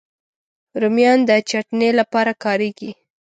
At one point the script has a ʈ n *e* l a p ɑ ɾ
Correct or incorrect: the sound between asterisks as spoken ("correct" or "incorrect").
correct